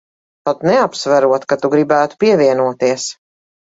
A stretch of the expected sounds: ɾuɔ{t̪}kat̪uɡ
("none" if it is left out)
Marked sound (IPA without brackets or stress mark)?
t̪